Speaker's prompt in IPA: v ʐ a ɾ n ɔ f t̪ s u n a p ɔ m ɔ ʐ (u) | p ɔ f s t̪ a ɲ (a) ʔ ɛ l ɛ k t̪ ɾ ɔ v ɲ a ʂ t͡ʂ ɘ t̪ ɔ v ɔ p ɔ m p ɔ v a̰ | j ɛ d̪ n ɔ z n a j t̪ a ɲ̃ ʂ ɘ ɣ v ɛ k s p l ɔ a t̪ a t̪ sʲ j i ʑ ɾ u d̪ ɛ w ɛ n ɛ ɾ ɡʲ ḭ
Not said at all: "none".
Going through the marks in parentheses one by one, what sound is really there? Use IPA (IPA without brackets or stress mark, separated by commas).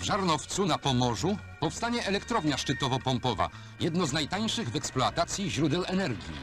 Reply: u, ɛ